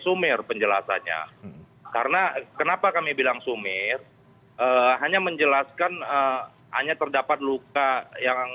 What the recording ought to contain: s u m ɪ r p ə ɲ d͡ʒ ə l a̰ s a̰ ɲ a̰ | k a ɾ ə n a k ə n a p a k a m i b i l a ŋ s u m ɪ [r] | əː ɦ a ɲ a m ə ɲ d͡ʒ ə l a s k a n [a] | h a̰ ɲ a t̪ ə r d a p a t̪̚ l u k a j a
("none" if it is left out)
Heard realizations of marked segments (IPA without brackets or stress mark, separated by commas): r, ə